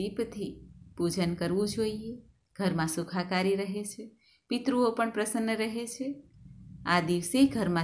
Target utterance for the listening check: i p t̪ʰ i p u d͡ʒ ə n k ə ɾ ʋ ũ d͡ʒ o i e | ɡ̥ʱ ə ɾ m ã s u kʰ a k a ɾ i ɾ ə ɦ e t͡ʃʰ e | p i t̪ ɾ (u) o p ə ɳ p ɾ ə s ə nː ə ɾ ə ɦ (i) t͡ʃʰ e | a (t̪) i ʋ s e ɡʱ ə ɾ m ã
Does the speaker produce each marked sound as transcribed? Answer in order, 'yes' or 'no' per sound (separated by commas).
yes, no, no